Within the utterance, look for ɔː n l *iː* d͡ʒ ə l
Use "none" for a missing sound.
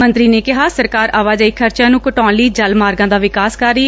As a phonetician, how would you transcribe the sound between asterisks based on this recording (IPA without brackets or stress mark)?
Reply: iː